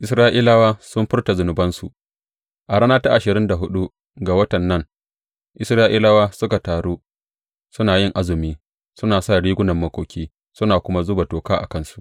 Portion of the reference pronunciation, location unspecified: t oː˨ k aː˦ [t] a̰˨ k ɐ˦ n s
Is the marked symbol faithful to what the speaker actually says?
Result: no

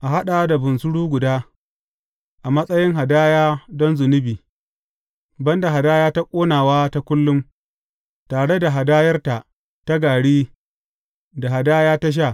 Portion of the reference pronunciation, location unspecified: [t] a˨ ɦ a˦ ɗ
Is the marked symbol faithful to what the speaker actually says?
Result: no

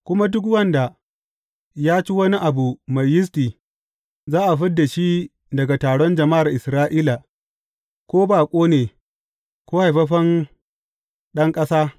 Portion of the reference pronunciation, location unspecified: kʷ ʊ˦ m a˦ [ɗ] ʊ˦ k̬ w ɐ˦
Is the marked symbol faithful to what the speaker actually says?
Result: no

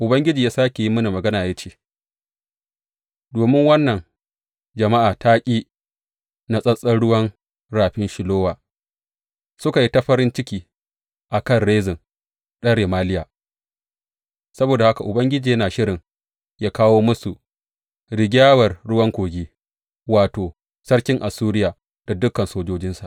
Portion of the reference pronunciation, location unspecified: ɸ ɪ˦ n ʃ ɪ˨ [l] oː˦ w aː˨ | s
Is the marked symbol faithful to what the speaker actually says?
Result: yes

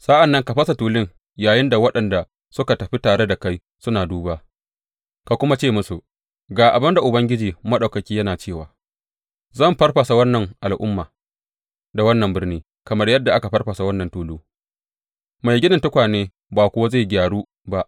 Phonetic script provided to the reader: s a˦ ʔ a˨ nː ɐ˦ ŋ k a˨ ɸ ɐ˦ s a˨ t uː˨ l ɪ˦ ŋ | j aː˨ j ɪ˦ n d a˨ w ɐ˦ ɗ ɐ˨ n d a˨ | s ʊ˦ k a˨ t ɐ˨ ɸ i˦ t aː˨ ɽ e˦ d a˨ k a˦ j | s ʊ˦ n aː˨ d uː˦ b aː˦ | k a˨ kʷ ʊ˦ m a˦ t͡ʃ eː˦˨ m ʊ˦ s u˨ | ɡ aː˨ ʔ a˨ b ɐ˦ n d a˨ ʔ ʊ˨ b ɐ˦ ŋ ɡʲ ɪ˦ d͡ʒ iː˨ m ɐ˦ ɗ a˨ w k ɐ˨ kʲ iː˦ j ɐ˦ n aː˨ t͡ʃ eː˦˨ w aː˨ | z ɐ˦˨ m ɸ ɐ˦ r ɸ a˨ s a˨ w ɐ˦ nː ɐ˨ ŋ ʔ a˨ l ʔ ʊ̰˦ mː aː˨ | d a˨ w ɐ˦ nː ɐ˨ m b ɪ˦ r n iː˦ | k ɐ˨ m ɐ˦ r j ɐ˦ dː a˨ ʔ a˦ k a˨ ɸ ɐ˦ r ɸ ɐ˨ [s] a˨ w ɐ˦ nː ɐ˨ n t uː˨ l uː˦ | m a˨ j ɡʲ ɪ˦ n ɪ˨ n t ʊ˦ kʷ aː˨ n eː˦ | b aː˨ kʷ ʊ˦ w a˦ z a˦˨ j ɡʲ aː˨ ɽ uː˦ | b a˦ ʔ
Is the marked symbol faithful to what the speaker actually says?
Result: yes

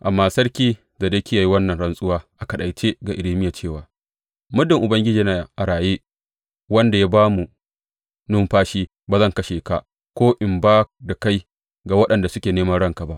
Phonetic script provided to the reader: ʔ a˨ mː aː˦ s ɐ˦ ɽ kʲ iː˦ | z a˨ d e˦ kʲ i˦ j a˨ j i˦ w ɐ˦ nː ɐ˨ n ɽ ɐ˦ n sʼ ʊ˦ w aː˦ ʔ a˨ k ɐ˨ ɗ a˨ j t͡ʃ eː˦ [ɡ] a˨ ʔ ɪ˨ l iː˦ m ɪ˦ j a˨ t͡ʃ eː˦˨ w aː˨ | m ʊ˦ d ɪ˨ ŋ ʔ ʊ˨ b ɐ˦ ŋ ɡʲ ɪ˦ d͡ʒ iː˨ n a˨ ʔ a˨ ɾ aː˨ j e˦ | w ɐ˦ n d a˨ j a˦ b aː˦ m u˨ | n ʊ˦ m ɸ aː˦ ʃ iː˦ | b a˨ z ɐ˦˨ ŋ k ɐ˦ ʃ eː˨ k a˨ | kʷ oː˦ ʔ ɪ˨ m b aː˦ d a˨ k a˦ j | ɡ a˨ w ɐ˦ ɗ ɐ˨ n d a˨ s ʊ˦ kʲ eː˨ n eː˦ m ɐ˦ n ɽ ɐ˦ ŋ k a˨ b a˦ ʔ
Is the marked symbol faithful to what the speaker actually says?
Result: yes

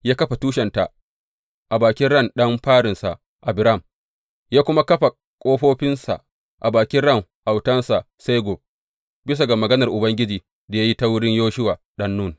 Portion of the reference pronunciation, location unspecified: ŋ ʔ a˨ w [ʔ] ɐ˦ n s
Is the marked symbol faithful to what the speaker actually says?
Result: no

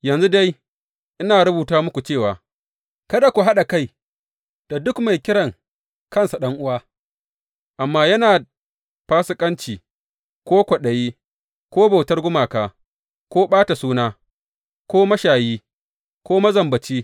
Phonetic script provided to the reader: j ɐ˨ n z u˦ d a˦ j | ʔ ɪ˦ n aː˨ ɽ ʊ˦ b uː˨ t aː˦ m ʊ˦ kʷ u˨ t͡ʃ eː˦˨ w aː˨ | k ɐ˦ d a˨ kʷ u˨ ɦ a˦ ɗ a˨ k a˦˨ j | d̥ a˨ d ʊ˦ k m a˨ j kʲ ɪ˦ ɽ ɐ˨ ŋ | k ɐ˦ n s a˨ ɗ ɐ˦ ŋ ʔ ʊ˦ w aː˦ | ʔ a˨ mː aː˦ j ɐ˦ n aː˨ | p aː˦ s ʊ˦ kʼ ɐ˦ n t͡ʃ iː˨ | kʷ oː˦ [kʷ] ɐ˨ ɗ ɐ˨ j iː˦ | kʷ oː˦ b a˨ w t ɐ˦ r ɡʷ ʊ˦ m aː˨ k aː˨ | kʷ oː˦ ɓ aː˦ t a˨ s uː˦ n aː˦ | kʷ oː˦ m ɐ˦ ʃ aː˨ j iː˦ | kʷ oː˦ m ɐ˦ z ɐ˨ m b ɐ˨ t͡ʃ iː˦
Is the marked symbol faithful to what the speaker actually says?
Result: yes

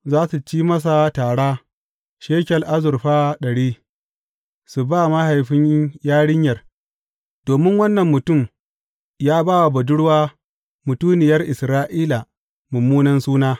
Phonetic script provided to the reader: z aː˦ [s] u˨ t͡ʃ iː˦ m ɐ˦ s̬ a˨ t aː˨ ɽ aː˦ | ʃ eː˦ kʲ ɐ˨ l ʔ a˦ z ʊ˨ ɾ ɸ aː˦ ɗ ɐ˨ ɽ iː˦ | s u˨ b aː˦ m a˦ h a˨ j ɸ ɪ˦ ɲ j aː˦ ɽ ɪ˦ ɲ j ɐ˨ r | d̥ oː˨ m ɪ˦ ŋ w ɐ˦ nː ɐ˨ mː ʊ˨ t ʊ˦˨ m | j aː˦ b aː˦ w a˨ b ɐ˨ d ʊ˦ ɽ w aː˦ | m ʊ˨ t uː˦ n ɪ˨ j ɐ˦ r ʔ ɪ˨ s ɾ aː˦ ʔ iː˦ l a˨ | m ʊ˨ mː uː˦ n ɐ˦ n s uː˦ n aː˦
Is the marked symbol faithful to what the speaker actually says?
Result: yes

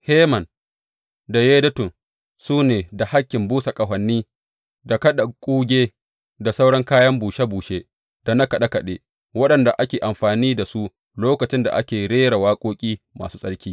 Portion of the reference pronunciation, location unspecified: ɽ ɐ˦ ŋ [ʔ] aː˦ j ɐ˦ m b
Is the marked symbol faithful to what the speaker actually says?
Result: no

